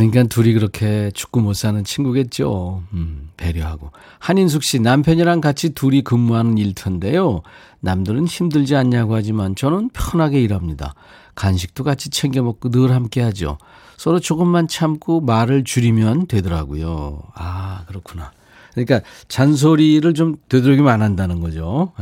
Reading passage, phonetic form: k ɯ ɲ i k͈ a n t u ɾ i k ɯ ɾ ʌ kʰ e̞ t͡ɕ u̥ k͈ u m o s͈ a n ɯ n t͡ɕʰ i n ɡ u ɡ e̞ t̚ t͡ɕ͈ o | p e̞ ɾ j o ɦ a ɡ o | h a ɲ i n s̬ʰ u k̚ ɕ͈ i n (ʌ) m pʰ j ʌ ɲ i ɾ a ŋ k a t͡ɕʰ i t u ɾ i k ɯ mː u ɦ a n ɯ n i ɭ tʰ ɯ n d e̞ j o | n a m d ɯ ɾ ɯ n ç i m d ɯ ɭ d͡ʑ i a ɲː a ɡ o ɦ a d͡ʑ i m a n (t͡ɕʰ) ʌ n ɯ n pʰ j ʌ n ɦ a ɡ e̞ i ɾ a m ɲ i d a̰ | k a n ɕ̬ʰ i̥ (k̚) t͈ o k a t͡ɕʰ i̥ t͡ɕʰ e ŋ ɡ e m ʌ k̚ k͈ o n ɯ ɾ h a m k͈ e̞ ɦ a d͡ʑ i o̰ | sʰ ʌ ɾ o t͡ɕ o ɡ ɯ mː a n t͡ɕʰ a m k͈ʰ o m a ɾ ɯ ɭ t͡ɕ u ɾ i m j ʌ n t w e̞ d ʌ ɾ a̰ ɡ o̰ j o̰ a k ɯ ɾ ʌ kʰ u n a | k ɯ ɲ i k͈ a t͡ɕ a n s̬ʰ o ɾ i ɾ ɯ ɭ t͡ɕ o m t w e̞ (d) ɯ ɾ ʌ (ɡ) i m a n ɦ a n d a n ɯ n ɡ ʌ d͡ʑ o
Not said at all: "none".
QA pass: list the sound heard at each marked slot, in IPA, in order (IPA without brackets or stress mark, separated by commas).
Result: a, t͡ɕ, k̚, d, ɡ